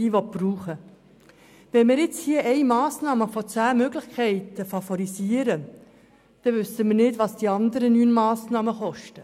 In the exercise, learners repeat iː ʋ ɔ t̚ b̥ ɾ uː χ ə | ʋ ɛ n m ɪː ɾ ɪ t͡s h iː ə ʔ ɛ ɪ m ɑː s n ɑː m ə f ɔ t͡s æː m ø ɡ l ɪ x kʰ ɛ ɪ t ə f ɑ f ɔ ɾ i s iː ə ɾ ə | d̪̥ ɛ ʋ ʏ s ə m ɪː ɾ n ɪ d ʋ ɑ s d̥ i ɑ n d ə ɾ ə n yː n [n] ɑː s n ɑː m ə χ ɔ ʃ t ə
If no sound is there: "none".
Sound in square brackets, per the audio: m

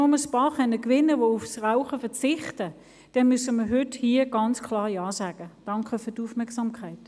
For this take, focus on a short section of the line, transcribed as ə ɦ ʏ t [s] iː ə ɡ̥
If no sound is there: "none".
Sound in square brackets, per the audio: h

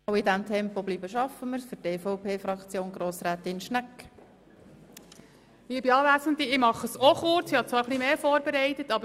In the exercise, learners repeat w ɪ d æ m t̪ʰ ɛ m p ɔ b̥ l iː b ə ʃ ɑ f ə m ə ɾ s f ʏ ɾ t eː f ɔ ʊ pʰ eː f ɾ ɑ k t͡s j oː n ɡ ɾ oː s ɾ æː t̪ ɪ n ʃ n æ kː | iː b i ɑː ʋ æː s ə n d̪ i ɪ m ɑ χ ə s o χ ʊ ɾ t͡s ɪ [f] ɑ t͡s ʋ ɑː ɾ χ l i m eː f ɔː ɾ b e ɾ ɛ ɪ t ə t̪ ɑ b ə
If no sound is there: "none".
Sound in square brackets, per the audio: h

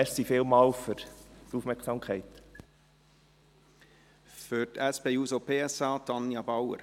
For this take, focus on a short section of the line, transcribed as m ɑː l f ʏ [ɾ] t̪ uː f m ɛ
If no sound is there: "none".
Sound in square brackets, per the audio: ɾ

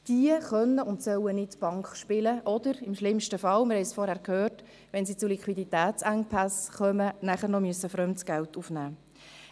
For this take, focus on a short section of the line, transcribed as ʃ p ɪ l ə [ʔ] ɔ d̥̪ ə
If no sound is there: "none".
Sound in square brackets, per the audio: ʔ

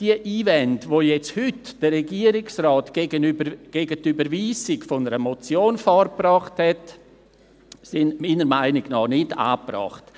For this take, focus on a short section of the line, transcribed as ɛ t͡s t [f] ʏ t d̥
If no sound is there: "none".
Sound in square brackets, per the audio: h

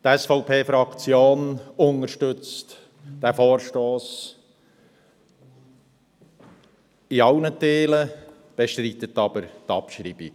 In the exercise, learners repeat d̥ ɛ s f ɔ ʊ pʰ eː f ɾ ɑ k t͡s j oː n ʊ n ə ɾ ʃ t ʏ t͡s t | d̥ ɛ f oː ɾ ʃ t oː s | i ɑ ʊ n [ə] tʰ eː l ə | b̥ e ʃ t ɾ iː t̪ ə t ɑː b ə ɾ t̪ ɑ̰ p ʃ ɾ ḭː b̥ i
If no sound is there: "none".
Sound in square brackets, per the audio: ə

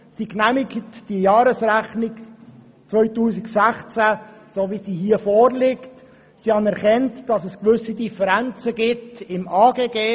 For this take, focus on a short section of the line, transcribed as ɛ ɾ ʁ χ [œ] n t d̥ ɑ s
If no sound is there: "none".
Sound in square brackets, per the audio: ɛ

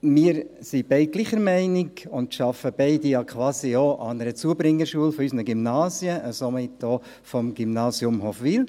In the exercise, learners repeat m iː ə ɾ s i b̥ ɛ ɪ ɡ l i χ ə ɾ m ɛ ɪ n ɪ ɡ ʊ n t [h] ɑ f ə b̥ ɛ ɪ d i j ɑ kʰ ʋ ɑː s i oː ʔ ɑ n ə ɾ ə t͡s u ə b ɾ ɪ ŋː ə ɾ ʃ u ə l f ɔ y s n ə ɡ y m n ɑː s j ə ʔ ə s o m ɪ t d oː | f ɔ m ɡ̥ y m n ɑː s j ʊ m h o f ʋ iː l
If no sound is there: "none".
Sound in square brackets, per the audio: ʃ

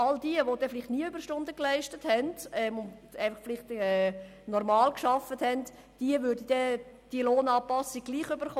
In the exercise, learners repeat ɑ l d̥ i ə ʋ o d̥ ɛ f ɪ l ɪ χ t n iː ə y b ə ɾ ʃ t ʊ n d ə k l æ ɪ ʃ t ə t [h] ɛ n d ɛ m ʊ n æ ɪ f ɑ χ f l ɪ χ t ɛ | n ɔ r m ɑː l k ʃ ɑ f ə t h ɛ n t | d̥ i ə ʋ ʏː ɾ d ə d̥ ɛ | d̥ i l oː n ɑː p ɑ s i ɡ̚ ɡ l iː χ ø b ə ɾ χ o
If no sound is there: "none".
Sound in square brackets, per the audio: h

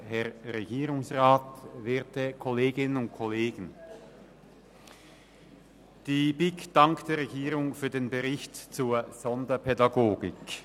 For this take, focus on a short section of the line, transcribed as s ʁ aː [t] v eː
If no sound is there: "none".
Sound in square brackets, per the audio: t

